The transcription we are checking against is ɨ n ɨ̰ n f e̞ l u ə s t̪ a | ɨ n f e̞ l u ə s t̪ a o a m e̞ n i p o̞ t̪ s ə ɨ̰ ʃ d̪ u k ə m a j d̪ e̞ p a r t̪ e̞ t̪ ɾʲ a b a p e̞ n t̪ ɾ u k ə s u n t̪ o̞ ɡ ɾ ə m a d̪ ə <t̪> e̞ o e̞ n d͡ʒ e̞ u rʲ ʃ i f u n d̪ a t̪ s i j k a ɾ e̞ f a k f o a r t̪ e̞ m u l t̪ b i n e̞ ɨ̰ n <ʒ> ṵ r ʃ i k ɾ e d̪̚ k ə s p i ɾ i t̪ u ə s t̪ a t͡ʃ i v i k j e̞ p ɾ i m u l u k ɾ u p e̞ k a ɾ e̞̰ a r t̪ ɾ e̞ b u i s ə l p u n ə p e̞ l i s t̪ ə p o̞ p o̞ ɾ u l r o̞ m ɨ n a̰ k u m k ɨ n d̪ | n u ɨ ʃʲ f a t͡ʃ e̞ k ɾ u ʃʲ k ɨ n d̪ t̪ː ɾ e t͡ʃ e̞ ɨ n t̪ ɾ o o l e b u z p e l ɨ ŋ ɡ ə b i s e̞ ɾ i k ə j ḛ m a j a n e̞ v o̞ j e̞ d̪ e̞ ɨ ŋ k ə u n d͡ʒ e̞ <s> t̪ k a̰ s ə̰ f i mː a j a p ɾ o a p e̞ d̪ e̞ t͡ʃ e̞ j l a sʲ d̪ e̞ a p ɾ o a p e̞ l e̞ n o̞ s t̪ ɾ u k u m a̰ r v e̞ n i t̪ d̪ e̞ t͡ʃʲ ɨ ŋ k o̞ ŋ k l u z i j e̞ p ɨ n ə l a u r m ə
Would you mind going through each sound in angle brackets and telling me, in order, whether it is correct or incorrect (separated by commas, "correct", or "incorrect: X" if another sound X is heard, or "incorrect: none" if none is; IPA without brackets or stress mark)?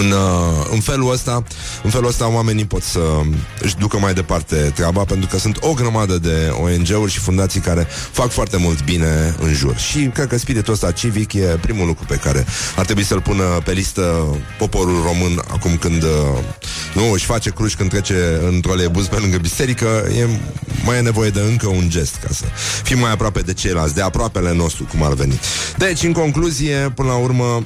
incorrect: d̪, correct, correct